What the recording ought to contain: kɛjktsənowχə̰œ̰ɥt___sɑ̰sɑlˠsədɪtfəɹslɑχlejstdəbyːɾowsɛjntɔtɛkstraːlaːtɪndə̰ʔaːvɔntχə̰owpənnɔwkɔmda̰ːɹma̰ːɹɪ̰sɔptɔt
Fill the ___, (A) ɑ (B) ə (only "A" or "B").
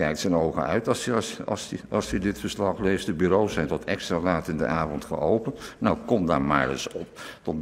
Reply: A